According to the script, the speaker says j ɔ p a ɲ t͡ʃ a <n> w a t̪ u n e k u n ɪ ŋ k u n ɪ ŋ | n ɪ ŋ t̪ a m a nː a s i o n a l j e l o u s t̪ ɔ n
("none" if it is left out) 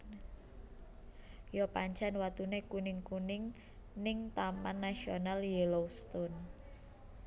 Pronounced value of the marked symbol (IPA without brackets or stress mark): n